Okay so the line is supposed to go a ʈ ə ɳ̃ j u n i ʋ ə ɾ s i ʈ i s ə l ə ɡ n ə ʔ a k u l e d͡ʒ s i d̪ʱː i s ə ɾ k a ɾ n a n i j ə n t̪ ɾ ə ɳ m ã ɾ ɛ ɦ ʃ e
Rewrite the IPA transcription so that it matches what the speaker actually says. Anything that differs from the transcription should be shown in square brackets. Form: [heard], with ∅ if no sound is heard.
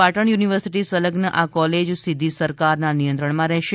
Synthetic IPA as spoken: a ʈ ə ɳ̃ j u n i ʋ ə ɾ s i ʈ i s ə l ə ɡ n ə ʔ a k [ɔ] l e d͡ʒ s i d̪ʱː i s ə ɾ k a ɾ n a n i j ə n t̪ ɾ ə ɳ m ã ɾ ɛ ɦ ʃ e